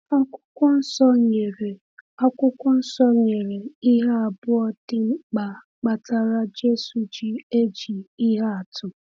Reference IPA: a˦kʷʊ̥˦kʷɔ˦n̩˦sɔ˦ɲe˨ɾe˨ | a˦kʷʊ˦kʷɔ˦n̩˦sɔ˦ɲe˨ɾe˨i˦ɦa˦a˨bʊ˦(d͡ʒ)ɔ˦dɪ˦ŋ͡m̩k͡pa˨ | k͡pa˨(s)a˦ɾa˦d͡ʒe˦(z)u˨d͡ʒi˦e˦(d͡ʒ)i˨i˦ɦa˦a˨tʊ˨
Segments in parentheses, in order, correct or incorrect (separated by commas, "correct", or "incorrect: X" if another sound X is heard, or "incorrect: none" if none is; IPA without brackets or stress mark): incorrect: none, incorrect: t, incorrect: s, correct